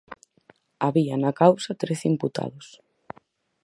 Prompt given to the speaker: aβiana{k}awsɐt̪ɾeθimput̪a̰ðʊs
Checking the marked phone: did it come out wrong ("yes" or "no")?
no